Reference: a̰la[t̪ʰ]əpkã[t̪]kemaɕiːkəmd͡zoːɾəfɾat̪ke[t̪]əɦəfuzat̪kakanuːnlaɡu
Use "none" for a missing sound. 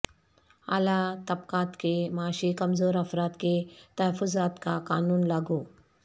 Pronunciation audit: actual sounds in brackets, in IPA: t̪, t̪, t̪

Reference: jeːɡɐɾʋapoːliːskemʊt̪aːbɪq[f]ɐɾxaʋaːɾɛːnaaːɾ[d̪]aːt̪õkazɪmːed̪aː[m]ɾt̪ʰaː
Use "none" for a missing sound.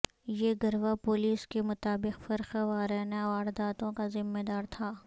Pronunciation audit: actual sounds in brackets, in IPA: f, d̪, none

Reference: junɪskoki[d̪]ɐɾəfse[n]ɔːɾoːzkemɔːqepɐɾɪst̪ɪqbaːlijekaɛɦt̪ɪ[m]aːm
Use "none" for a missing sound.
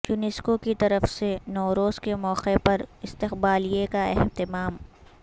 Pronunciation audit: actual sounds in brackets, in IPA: t̪, n, m

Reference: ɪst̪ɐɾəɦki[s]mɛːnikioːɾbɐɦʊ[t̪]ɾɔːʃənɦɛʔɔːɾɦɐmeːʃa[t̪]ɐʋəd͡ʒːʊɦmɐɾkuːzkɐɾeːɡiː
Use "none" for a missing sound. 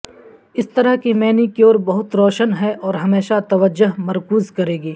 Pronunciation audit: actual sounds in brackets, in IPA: none, t̪, t̪

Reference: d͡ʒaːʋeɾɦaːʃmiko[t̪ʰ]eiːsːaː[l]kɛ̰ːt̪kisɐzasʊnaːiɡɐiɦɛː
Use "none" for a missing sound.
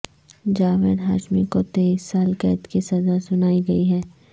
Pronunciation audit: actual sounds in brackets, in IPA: t̪, l

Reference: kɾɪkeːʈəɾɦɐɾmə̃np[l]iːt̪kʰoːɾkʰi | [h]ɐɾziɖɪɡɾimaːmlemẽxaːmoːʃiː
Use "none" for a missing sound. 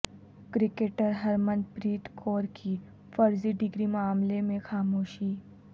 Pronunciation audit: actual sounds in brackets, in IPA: ɾ, f

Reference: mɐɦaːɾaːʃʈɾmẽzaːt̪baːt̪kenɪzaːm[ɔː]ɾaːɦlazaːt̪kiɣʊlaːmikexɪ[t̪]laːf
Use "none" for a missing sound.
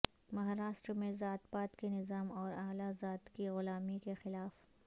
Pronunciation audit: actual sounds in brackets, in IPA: ɔː, none

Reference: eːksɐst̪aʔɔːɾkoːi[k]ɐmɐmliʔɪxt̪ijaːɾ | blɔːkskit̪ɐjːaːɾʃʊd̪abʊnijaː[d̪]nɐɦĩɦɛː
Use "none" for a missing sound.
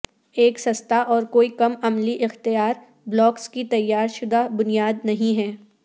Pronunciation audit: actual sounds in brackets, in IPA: k, d̪

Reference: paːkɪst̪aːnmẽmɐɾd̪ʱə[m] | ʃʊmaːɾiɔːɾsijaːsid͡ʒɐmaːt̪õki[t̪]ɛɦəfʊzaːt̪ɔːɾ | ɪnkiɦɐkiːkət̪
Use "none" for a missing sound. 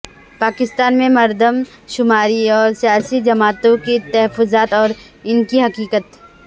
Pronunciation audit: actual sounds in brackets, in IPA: m, t̪

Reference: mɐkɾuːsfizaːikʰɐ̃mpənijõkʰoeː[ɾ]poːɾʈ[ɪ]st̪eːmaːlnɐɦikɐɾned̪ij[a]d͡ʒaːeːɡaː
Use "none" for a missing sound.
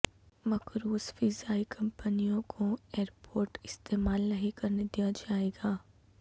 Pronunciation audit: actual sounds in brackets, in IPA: ɾ, ɪ, a

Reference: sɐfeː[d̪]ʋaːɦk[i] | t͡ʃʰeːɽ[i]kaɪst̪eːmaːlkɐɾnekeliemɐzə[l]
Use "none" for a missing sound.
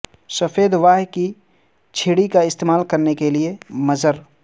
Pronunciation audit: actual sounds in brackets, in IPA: d̪, i, i, ɾ

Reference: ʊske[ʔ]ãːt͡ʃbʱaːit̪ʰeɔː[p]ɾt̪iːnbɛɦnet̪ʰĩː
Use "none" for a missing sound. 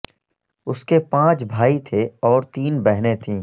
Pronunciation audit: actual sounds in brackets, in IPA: p, none

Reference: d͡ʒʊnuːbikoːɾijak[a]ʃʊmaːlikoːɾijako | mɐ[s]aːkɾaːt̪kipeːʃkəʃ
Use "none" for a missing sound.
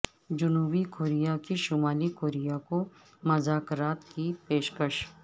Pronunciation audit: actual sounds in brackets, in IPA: i, z

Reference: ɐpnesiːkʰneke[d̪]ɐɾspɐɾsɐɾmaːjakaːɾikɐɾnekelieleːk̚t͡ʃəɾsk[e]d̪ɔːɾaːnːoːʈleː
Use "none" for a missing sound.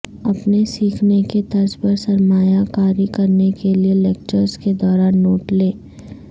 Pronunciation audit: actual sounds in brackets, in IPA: t̪, e

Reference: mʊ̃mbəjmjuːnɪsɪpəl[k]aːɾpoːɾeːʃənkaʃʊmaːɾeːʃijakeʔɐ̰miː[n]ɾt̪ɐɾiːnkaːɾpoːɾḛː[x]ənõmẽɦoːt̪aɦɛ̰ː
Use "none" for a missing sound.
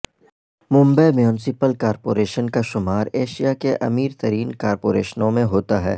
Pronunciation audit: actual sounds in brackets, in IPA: k, none, ʃ

